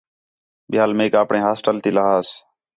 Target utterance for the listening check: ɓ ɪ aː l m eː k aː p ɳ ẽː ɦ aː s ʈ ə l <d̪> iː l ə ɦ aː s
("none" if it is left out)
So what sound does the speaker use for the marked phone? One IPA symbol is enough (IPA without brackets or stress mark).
t̪